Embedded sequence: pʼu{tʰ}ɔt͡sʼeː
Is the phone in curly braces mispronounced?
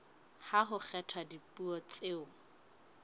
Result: yes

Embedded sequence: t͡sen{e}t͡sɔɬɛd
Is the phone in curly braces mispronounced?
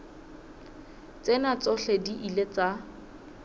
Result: yes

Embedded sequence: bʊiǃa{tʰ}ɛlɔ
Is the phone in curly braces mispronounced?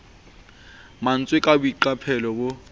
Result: yes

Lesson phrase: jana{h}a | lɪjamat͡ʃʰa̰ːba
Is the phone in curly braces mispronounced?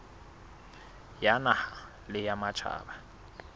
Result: no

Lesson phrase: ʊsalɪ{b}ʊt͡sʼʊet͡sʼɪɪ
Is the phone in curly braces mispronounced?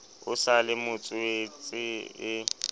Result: yes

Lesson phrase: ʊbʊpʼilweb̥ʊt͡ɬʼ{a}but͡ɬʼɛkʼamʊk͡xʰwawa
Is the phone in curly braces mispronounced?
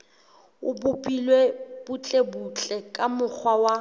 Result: yes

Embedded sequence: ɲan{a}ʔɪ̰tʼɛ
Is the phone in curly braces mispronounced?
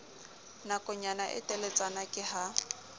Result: no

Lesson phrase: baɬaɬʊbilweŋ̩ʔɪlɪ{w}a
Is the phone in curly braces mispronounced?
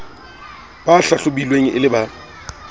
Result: yes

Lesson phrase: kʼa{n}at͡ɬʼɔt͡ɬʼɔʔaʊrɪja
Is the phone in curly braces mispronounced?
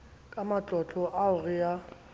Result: yes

